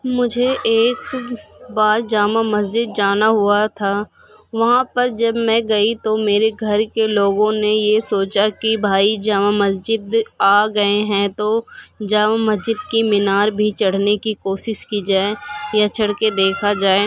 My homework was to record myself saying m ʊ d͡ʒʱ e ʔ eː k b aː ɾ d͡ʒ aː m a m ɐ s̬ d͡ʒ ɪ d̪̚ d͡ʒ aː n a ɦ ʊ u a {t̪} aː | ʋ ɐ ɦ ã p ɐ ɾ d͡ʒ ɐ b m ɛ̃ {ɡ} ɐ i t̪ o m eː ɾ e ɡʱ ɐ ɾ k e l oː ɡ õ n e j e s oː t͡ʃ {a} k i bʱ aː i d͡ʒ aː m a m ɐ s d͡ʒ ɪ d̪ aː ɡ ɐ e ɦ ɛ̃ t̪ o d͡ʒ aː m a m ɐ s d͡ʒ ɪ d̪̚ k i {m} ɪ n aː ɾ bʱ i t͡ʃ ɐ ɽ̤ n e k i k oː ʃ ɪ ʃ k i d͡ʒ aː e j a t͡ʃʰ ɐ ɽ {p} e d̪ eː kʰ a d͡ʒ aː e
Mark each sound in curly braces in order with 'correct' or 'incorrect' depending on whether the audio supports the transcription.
incorrect: t̪ʰ, correct, correct, correct, incorrect: k

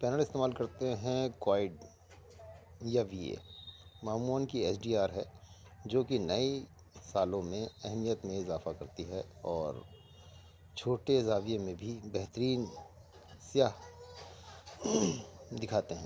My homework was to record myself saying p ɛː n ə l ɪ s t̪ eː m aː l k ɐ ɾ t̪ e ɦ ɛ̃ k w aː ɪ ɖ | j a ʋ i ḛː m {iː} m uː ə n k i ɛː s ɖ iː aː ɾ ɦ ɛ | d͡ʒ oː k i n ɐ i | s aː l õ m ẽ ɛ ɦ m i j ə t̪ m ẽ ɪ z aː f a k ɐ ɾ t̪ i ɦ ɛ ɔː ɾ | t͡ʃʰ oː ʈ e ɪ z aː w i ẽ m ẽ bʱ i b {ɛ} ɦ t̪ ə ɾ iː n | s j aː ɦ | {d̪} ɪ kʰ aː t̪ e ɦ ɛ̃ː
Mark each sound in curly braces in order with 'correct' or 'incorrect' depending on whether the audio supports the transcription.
incorrect: aː, correct, correct

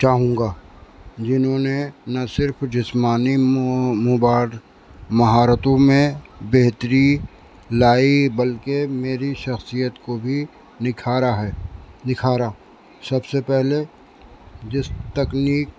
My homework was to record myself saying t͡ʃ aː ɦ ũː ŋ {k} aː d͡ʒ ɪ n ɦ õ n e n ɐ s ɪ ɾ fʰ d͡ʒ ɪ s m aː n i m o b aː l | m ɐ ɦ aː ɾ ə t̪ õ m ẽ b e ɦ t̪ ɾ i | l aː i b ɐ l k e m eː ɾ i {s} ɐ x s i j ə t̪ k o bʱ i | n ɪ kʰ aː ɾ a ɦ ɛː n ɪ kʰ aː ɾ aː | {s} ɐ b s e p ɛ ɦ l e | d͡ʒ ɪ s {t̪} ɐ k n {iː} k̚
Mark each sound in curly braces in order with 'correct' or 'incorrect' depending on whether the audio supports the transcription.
incorrect: ɡ, incorrect: ʃ, correct, correct, correct

